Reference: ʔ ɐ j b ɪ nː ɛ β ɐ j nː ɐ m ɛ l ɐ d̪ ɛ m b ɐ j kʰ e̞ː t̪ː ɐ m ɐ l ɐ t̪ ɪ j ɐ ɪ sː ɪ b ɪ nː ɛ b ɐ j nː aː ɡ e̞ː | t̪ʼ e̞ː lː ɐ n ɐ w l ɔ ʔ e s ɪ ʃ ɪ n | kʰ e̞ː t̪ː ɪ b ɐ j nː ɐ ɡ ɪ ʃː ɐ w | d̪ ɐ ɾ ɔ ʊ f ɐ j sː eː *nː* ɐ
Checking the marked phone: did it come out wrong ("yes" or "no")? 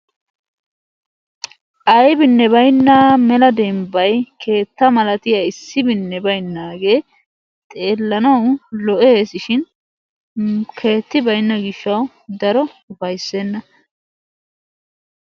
no